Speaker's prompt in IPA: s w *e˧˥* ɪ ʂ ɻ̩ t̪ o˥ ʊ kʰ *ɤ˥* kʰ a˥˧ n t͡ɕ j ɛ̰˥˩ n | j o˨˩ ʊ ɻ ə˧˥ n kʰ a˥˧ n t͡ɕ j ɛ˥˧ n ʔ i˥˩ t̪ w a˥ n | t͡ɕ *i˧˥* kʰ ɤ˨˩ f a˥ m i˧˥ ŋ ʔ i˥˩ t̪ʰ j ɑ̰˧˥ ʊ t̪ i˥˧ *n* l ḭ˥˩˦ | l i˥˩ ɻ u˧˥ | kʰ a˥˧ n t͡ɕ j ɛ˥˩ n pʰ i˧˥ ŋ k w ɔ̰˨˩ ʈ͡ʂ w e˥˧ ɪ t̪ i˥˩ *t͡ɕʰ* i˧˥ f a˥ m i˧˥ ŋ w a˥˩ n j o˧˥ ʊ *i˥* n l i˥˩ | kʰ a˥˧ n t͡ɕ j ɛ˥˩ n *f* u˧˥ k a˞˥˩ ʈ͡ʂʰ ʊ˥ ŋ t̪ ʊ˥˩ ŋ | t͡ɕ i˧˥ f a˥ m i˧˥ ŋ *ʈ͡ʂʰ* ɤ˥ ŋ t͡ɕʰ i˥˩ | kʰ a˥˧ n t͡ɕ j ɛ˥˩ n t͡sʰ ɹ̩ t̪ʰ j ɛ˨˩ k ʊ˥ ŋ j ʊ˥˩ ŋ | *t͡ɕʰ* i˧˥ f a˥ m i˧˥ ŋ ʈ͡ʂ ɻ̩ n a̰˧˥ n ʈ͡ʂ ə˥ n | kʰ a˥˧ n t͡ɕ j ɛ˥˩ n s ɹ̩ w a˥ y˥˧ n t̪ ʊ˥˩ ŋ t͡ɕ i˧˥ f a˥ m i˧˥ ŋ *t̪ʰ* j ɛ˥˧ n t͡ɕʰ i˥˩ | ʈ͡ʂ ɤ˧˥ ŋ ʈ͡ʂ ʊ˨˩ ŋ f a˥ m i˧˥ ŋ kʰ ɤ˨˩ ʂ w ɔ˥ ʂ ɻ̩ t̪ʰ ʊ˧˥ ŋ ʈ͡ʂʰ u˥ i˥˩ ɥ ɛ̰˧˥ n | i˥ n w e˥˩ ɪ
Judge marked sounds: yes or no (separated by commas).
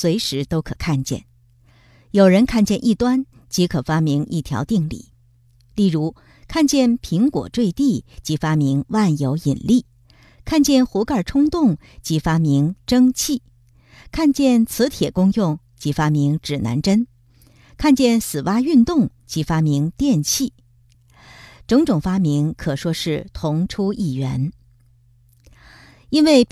yes, no, yes, no, no, no, no, no, no, no